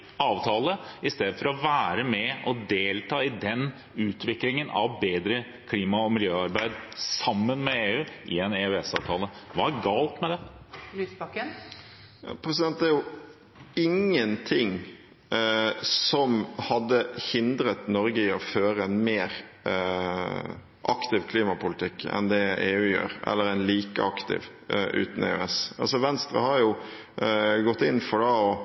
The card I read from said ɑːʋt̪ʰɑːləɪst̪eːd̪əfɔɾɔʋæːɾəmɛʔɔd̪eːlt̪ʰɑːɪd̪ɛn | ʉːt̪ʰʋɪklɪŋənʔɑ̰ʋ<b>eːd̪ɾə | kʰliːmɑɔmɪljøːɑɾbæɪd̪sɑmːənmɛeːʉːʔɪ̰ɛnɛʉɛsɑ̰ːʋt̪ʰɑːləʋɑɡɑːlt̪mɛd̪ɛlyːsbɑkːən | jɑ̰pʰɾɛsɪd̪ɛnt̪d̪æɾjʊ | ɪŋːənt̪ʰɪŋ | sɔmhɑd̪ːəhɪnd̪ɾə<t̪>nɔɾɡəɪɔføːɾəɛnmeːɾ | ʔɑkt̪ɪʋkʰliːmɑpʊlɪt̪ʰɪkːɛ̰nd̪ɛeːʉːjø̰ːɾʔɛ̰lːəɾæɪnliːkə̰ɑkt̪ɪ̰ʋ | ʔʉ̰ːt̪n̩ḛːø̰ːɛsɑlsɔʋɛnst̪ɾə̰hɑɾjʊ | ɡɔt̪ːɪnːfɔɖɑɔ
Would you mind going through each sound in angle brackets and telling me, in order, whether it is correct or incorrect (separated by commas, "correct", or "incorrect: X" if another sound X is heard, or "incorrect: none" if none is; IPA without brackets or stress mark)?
correct, correct